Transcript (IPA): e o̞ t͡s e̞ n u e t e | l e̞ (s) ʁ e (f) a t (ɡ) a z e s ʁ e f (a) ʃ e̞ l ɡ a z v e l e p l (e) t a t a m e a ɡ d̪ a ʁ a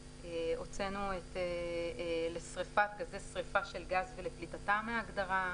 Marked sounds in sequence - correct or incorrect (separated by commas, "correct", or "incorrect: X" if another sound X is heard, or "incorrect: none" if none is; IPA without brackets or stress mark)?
correct, correct, correct, correct, incorrect: i